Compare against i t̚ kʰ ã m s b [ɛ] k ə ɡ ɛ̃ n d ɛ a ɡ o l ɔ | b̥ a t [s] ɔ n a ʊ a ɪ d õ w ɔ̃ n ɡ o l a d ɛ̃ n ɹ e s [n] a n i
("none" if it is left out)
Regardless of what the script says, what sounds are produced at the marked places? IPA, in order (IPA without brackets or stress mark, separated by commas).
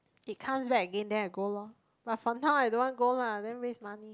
ɛ, f, m